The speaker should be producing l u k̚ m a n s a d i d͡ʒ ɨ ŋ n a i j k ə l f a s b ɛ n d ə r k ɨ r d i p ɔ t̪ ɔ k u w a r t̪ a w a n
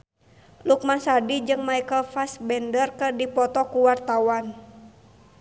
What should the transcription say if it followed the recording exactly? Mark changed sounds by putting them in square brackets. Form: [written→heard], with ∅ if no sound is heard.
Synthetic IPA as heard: l u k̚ m a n s a d i d͡ʒ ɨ ŋ [n→m] a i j k ə l f a s b ɛ n d ə r k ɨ r d i p ɔ t̪ ɔ k u w a r t̪ a w a n